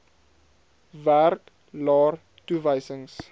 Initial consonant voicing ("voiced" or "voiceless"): voiced